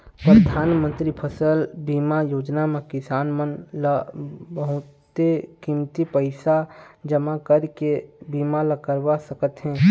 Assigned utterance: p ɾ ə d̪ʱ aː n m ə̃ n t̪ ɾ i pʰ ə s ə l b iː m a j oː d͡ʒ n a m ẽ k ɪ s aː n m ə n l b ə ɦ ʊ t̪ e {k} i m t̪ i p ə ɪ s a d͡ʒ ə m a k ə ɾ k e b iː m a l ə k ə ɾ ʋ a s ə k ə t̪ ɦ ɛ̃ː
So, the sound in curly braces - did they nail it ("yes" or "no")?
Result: yes